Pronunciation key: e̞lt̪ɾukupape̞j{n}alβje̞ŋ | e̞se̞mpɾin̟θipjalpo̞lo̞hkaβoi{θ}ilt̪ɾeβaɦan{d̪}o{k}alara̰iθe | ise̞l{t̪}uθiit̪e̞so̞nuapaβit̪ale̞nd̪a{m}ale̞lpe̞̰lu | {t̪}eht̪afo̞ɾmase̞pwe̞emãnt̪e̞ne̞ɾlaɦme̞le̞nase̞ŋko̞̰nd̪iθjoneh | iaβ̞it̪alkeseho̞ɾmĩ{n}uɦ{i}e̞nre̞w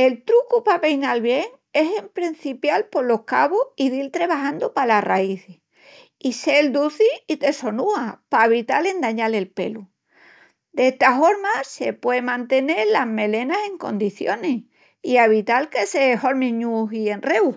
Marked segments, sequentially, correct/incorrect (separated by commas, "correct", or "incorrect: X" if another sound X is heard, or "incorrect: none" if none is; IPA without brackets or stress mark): correct, incorrect: ð, correct, incorrect: p, incorrect: d̪, incorrect: ɲ, incorrect: d̪, incorrect: ɲ, correct